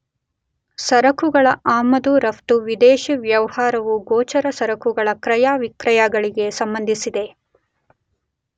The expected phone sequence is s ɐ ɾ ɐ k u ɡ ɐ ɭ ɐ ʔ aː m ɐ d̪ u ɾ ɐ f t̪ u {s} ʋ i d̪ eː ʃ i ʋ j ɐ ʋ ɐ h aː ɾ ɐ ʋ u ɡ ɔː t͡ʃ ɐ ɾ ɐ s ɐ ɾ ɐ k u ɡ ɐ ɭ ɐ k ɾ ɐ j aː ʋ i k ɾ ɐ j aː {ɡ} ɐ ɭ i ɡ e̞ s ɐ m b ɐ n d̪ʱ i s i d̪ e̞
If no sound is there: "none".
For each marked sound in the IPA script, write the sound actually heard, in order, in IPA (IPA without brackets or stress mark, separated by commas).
none, ɡ